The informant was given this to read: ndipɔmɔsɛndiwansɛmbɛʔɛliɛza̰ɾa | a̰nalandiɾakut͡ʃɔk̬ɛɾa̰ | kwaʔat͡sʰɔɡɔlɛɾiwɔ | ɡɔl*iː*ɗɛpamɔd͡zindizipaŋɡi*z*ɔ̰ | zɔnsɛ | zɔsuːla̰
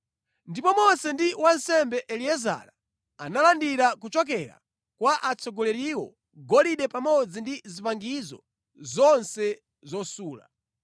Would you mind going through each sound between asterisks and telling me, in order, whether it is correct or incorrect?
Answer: incorrect, correct

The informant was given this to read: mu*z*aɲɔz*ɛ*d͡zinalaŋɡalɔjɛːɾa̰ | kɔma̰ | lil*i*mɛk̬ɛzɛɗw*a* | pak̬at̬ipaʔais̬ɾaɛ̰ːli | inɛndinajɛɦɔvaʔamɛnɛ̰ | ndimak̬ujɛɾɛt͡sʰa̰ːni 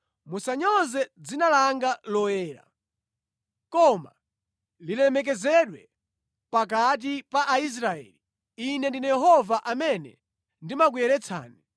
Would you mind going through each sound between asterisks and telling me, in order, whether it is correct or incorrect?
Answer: incorrect, correct, incorrect, incorrect

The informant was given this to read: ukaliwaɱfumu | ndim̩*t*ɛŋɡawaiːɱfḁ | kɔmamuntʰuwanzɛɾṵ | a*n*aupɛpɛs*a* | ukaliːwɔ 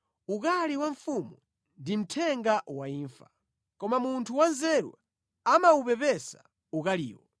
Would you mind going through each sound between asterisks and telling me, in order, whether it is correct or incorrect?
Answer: incorrect, incorrect, correct

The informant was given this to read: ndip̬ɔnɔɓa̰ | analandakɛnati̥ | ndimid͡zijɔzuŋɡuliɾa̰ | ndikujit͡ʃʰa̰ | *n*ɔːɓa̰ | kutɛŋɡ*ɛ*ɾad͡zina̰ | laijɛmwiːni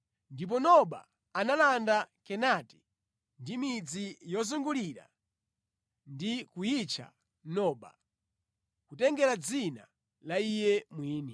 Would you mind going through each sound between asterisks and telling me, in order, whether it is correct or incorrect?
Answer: correct, correct

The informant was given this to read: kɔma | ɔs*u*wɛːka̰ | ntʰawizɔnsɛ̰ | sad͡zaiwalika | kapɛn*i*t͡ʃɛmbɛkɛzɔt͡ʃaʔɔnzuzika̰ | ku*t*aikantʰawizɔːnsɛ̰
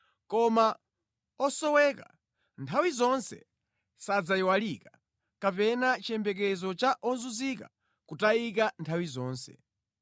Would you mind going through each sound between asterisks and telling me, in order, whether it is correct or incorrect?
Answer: incorrect, incorrect, correct

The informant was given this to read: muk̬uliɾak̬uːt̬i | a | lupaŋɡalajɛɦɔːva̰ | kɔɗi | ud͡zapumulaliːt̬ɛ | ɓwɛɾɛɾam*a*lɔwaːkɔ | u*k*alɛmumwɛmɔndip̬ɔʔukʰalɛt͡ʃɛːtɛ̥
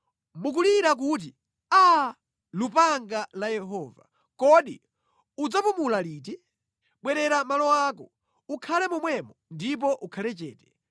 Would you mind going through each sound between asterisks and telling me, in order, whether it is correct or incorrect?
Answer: correct, incorrect

